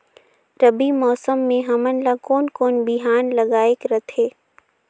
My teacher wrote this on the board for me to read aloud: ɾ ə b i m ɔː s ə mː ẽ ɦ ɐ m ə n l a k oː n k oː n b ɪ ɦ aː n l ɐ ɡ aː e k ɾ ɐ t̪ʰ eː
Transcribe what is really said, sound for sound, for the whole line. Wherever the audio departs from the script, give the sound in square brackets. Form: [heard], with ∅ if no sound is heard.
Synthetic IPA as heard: ɾ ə b i m ɔː s ə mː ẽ ɦ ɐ m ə n l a k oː n k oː n b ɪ ɦ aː n l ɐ ɡ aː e k ɾ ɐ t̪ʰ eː